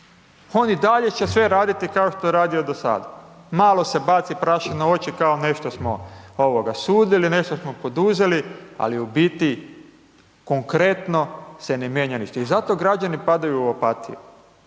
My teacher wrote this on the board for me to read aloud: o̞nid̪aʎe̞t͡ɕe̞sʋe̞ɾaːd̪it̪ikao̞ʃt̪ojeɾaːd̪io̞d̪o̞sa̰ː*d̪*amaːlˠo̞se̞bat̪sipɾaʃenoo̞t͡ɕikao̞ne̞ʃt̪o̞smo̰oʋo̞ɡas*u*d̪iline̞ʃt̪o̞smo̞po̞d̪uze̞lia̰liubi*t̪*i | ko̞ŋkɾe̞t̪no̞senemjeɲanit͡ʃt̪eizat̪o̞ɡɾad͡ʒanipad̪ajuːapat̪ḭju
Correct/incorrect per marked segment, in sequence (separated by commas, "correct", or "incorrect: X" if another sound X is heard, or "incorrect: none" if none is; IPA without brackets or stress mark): correct, incorrect: uː, correct